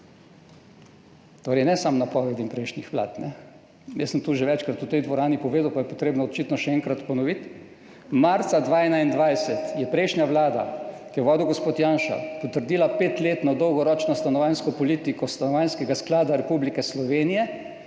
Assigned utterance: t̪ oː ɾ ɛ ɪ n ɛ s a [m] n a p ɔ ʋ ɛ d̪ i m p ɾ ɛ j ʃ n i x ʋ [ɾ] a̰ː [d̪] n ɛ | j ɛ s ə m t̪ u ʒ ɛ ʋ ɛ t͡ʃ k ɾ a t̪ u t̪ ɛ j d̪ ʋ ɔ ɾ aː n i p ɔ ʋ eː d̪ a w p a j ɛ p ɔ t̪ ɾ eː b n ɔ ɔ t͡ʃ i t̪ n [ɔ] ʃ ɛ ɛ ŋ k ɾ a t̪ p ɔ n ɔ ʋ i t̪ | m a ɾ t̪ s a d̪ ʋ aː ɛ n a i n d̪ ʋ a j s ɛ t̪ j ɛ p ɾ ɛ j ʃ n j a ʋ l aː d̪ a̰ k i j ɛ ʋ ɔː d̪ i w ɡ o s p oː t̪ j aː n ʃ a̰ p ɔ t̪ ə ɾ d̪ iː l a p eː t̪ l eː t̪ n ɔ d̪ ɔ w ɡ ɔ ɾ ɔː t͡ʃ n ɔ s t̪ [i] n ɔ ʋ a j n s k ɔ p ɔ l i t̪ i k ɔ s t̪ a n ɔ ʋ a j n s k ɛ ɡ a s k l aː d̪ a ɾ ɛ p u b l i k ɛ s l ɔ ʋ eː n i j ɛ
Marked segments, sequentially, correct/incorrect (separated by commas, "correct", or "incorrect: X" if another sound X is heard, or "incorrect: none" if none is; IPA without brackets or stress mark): correct, incorrect: l, incorrect: t̪, correct, incorrect: a